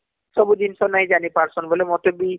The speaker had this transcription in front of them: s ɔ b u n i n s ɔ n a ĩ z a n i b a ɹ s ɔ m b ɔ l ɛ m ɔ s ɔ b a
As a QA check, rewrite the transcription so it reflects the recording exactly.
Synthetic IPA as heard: s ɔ b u d i n s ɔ n a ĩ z a n i p a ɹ s ɔ n b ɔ l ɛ m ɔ t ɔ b i